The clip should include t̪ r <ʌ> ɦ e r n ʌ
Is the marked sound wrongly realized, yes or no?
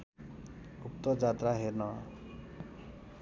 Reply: yes